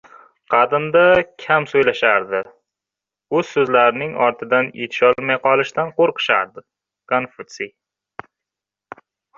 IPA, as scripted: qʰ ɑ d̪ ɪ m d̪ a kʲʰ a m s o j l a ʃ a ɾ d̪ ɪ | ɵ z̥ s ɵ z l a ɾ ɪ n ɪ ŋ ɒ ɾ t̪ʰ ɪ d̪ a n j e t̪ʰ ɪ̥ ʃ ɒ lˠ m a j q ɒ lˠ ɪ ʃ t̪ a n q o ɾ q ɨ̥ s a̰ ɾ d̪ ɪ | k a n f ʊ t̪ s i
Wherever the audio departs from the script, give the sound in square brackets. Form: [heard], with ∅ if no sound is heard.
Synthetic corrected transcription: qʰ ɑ d̪ ɪ m d̪ a kʲʰ a m s o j l a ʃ a ɾ d̪ ɪ | ɵ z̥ s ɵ z l a ɾ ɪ n ɪ ŋ ɒ ɾ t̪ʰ ɪ d̪ a n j e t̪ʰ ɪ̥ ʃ ɒ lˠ m a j q ɒ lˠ ɪ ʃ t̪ a n q o ɾ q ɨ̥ [ʃ] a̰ ɾ d̪ ɪ | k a n f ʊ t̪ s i